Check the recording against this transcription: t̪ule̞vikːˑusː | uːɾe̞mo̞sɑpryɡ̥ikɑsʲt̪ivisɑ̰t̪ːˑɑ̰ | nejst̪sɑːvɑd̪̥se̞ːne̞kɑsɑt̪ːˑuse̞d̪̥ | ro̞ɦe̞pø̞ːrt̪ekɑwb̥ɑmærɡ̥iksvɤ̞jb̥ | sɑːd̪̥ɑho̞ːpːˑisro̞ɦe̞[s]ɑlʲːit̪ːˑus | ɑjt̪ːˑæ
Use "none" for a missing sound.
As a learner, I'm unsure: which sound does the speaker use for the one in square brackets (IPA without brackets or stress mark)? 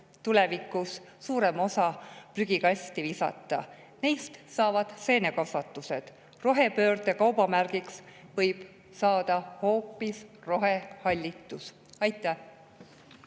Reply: h